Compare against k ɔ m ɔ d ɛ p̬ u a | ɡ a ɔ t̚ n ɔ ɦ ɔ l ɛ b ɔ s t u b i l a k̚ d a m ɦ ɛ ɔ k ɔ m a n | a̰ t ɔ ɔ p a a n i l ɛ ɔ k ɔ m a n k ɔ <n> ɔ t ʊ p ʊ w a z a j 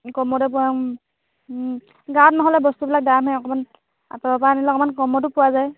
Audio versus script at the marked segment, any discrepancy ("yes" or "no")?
yes